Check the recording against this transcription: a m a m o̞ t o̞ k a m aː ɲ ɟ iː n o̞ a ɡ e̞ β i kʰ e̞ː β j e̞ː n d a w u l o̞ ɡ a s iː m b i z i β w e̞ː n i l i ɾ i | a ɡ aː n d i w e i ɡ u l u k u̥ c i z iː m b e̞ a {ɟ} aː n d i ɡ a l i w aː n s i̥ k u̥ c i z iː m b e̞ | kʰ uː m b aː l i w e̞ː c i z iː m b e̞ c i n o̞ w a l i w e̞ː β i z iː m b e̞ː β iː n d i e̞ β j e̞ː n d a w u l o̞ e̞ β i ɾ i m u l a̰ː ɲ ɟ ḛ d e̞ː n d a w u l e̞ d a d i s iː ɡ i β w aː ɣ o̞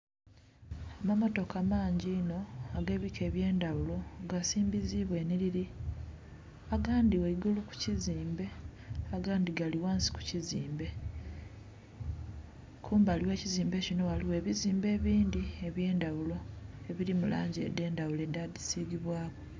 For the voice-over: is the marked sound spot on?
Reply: no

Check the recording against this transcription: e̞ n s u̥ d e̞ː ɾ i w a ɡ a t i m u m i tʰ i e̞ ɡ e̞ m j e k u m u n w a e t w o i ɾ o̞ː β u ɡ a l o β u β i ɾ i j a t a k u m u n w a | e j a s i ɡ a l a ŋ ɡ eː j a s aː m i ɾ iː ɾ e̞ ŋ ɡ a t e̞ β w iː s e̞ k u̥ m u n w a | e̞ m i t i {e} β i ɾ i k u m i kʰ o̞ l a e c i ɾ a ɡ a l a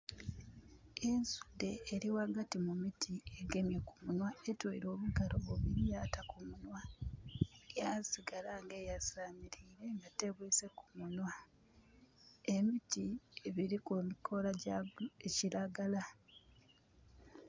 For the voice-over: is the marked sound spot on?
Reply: yes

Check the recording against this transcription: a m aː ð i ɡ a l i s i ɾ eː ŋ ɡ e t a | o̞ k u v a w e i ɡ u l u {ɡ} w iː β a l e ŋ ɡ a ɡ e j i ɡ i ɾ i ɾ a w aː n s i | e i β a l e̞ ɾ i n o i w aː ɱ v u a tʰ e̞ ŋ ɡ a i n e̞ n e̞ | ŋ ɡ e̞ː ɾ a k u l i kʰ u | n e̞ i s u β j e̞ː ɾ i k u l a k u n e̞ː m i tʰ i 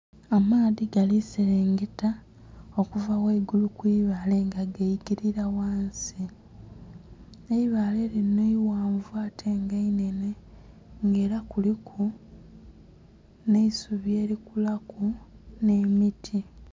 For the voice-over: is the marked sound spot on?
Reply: no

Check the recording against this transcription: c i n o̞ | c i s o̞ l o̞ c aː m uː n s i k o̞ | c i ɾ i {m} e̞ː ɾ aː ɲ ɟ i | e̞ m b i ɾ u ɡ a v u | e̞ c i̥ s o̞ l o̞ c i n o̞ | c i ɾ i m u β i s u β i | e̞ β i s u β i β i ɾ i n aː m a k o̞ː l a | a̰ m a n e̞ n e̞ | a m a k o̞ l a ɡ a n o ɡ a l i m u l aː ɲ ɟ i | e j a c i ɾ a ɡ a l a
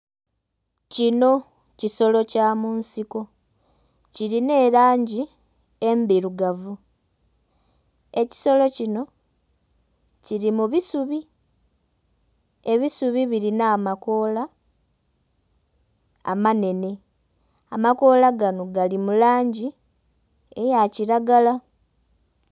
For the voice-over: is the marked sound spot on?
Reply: no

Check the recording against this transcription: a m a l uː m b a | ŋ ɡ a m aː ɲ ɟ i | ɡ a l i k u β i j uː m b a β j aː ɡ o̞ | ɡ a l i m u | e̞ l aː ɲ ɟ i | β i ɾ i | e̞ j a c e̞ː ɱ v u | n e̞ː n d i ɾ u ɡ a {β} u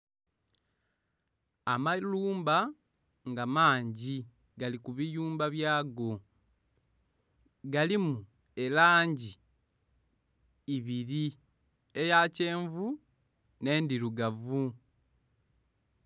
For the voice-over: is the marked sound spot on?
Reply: no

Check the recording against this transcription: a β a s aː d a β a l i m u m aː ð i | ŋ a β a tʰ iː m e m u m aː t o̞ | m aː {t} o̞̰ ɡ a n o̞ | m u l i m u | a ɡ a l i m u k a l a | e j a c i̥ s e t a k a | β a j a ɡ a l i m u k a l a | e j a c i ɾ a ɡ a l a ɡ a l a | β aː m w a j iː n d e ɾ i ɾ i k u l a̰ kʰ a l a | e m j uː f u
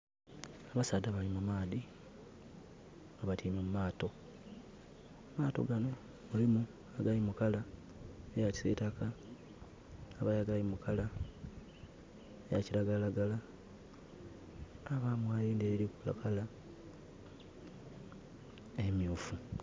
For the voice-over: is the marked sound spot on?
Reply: yes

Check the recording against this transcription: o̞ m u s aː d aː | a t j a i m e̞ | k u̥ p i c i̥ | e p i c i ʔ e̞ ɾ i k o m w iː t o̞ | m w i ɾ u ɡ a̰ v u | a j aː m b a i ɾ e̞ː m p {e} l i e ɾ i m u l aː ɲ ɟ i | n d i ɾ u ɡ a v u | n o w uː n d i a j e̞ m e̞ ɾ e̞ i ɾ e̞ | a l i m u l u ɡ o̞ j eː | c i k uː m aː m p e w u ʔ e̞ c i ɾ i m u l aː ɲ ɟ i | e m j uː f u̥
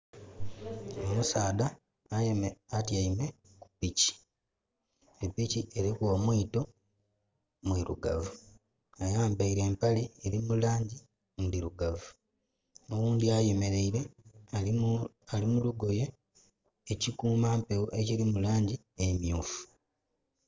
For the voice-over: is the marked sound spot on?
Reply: no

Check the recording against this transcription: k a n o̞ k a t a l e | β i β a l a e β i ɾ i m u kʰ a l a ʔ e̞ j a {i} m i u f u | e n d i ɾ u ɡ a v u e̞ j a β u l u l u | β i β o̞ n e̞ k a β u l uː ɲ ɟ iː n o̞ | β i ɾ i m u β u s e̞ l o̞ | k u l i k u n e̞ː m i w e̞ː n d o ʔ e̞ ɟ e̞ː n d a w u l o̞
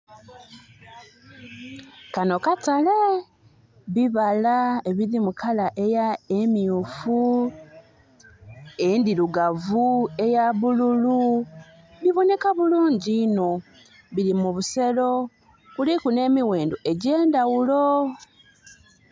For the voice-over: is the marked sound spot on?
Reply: no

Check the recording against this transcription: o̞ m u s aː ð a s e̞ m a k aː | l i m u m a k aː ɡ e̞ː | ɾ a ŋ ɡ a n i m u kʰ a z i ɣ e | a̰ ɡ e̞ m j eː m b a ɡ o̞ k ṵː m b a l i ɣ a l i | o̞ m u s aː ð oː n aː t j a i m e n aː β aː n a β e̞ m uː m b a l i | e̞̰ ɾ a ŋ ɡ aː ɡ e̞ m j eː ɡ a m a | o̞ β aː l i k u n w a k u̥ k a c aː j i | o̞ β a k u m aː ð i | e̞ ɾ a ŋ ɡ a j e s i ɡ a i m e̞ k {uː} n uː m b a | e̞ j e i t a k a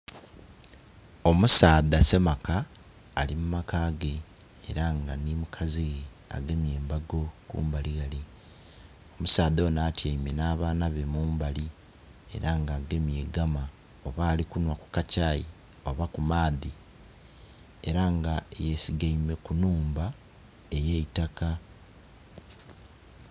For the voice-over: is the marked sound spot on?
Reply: no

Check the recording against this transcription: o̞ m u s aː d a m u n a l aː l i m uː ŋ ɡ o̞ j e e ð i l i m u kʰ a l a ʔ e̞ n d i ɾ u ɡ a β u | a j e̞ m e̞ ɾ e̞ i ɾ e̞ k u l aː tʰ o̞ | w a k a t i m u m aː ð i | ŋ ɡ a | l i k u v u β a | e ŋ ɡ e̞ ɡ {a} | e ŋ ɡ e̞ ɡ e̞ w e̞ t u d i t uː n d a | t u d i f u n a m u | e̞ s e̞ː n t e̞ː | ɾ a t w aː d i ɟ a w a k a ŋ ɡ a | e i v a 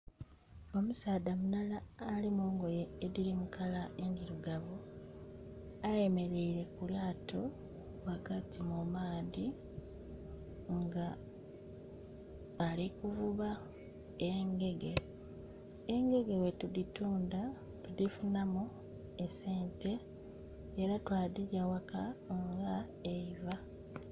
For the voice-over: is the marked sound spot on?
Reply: no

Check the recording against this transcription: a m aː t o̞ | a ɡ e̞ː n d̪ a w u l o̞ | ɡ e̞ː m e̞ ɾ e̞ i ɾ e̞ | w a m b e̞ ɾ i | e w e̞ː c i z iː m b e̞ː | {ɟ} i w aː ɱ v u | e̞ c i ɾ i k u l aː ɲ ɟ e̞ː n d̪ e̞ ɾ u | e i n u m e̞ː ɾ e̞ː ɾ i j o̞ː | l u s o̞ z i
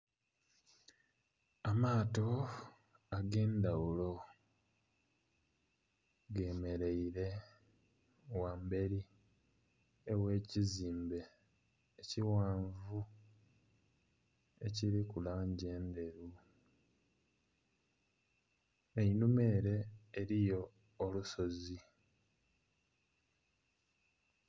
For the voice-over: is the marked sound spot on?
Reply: no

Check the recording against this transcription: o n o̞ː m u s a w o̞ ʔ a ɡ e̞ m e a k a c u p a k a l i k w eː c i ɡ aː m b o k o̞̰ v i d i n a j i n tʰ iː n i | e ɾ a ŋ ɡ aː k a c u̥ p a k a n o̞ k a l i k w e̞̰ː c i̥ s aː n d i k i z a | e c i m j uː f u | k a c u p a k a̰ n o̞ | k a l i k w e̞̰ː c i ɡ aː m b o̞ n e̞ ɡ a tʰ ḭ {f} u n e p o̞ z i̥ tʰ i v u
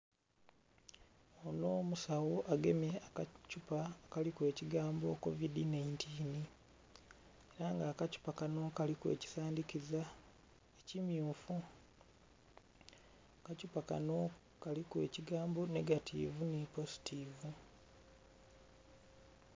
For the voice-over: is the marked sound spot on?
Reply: no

